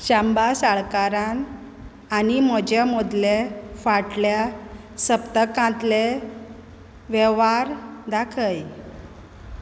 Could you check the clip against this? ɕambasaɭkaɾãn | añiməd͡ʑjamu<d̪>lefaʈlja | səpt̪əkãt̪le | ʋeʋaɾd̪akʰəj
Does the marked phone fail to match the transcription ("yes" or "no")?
no